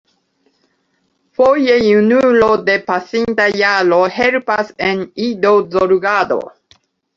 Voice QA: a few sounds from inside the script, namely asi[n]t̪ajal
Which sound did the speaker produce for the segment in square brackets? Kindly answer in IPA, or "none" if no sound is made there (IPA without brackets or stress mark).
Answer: n